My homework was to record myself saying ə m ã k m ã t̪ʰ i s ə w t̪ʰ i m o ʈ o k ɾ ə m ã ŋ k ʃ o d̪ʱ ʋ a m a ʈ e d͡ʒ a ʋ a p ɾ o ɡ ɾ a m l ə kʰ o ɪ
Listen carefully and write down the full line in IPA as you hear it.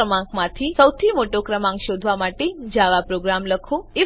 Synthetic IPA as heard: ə m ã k m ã t̪ʰ i s ə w t̪ʰ i m o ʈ o k ɾ ə m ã ŋ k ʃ o d̪ʱ ʋ a m a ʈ e d͡ʒ a ʋ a p ɾ o ɡ ɾ a m l ə kʰ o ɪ

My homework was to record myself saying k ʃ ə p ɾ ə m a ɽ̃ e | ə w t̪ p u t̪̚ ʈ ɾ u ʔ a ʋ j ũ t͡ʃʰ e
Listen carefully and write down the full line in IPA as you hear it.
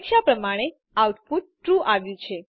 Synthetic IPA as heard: k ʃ a p ɾ ə m a ɽ̃ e | a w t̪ p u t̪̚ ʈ ɾ u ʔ a ʋ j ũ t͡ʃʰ e

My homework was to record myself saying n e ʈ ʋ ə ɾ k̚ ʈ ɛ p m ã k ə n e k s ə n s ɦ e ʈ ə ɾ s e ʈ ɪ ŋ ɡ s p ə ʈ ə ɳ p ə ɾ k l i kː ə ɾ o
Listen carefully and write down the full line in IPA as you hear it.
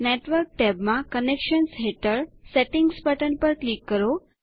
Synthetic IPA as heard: n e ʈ ʋ ə ɾ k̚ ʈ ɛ b m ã k ə n e k ʃ ə n s ɦ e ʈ ə ɾ s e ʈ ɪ ŋ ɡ s p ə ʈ ə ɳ p ə ɾ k l i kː ə ɾ o

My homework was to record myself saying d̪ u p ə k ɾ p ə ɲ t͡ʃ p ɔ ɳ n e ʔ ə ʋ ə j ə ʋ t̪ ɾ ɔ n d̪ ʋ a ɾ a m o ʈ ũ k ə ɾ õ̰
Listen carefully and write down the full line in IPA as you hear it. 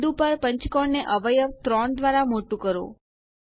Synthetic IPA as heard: d̪ u p ə ɾ p ə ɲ t͡ʃ k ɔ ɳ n e ʔ ə ʋ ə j ə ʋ t̪ ɾ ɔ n d̪ ʋ a ɾ a m o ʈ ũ k ə ɾ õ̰

